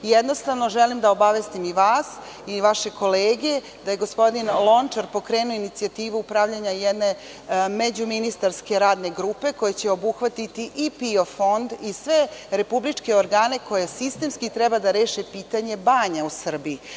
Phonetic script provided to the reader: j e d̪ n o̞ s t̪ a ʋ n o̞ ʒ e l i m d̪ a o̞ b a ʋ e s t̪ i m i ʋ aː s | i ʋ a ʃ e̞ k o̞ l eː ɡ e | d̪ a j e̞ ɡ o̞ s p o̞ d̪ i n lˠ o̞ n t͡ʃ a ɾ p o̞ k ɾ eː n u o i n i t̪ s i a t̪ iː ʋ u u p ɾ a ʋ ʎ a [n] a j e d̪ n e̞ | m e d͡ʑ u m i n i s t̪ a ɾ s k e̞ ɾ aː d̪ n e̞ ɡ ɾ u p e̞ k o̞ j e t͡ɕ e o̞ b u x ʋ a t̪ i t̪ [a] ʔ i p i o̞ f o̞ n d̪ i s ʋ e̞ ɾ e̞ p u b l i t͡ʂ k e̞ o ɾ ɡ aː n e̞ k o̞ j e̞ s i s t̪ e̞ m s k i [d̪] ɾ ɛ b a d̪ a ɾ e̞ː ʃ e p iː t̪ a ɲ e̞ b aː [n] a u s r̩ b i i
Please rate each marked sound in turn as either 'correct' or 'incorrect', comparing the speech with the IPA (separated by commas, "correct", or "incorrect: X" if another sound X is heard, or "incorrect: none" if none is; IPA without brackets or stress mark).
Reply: incorrect: ɲ, incorrect: i, incorrect: t̪, incorrect: ɲ